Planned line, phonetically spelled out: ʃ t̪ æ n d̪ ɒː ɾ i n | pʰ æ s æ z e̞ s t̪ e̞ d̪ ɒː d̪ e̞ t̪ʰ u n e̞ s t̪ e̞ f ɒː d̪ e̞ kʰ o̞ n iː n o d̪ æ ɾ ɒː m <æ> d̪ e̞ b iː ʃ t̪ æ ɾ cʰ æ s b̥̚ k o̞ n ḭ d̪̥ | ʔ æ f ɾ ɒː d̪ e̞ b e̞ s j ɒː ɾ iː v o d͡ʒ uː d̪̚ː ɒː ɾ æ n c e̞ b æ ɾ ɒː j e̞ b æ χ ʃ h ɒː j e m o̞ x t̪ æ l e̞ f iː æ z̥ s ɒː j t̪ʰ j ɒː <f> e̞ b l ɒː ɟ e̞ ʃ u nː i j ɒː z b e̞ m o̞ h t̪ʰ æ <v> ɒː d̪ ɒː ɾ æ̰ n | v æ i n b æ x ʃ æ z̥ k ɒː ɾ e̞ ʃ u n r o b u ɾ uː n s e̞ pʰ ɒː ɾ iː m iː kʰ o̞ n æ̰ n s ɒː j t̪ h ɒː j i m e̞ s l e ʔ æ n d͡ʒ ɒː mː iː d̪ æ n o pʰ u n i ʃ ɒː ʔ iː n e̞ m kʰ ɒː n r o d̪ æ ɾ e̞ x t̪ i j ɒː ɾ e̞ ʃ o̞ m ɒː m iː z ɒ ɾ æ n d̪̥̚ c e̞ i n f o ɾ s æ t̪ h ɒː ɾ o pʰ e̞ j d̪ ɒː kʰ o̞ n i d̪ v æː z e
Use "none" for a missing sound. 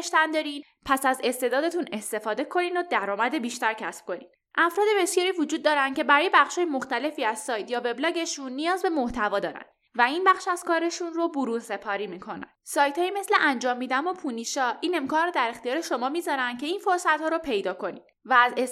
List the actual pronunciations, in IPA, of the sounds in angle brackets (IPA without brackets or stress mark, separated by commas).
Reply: æ, v, v